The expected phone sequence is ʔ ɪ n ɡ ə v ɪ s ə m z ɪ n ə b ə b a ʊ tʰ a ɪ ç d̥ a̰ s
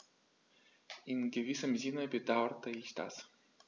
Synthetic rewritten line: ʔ ɪ n ɡ ə v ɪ s ə m z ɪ n ə b ə d a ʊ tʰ ə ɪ ç d̥ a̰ s